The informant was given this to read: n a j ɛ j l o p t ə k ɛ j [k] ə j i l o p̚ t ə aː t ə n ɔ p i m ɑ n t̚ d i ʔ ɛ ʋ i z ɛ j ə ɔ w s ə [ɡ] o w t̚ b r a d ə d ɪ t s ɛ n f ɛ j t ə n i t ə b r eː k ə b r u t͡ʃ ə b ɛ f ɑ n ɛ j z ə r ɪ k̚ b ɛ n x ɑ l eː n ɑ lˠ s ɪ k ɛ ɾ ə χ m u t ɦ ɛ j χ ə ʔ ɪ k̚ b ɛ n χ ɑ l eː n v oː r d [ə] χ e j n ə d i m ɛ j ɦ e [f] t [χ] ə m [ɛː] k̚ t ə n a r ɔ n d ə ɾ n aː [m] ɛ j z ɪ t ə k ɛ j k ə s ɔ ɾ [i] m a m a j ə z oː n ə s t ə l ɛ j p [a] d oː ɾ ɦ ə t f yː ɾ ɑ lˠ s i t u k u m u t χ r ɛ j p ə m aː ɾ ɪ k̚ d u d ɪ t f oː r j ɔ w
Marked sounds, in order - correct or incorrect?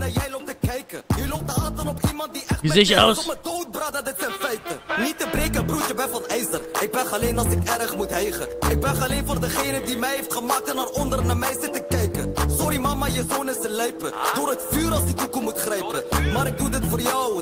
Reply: correct, incorrect: d, correct, correct, correct, incorrect: aː, correct, correct, incorrect: ə

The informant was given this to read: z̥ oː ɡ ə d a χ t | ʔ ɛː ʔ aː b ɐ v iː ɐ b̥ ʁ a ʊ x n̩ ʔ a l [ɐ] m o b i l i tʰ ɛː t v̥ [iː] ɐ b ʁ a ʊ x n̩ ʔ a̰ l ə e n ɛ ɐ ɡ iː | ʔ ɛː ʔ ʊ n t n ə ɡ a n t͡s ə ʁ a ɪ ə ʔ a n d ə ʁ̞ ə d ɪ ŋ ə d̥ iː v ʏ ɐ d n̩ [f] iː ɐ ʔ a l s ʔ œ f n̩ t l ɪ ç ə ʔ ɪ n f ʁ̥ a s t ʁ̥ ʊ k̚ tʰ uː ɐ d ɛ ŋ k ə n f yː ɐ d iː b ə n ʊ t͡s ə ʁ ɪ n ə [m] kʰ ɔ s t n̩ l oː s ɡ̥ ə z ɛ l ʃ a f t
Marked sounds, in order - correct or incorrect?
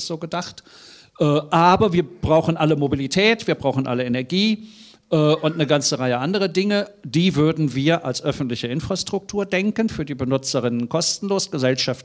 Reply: incorrect: ə, correct, incorrect: v, incorrect: n

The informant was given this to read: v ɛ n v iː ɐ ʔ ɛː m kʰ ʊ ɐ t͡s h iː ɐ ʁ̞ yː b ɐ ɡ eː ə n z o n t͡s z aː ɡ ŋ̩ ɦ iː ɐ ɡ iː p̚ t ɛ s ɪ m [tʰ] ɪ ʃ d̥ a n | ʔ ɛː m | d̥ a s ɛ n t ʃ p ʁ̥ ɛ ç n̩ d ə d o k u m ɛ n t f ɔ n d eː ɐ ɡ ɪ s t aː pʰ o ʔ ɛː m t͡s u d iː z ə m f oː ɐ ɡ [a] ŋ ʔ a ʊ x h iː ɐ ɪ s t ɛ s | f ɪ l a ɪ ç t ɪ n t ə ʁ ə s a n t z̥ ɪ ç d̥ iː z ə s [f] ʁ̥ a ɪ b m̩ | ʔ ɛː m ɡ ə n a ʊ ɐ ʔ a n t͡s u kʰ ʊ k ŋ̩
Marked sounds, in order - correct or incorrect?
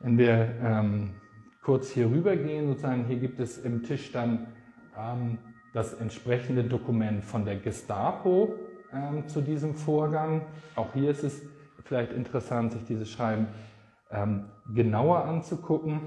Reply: correct, correct, incorrect: ʃ

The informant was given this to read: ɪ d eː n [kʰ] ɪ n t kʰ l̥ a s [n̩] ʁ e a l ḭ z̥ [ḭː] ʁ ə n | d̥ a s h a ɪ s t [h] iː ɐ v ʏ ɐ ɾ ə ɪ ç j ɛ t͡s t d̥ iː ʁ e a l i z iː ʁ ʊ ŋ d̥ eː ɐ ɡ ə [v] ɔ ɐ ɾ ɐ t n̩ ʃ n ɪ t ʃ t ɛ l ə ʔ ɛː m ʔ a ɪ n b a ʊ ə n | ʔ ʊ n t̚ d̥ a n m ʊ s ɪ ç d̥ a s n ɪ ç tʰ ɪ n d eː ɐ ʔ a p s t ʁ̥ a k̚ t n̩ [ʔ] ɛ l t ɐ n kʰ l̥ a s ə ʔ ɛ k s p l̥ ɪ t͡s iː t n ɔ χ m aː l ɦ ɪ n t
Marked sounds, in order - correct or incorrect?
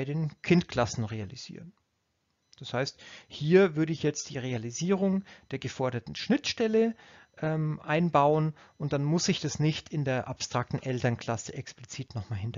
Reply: correct, correct, correct, correct, incorrect: f, correct

